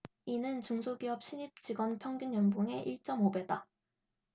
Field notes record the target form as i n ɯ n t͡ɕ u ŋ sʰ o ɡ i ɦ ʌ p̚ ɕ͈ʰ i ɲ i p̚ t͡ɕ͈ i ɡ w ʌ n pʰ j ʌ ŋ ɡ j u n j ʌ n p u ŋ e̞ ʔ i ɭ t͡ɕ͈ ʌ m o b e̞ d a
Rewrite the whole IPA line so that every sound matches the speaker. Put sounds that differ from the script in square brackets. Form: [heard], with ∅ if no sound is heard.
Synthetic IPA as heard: i n ɯ n t͡ɕ u ŋ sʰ o ɡ i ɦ ʌ p̚ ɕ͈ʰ i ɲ i p̚ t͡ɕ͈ i ɡ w ʌ n pʰ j ʌ ŋ ɡ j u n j ʌ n [b] u ŋ e̞ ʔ i ɭ t͡ɕ͈ ʌ m o b e̞ d a

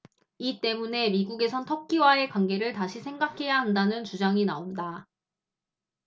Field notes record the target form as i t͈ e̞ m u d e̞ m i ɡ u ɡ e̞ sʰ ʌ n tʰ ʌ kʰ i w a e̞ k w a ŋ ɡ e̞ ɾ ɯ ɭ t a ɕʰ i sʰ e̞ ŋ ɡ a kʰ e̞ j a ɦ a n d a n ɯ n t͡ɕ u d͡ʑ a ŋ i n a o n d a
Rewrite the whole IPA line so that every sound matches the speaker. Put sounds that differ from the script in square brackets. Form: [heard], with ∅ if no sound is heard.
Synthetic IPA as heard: i t͈ e̞ m u [n] e̞ m i ɡ u ɡ e̞ sʰ ʌ n tʰ ʌ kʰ i w a e̞ k w a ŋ ɡ e̞ ɾ ɯ ɭ t a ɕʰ i sʰ e̞ ŋ ɡ a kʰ e̞ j a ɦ a n d a n ɯ n t͡ɕ u d͡ʑ a ŋ i n a o n d a

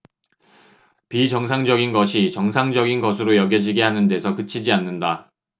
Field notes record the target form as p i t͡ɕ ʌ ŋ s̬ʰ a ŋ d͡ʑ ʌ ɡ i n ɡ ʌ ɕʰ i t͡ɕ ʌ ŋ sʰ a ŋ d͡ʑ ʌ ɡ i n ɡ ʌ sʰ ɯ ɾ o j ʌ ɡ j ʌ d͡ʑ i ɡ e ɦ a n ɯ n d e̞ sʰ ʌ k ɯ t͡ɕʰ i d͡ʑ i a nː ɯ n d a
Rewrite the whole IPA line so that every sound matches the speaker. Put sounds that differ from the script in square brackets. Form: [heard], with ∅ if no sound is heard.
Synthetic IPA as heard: p i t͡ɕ ʌ ŋ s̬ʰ a ŋ d͡ʑ ʌ ɡ i n ɡ ʌ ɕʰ i t͡ɕ ʌ ŋ sʰ a ŋ d͡ʑ ʌ ɡ i n ɡ ʌ sʰ ɯ ɾ o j ʌ ɡ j ʌ d͡ʑ i ɡ e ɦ a n ɯ n d e̞ sʰ ʌ k ɯ t͡ɕʰ i d͡ʑ i a nː ɯ n d a

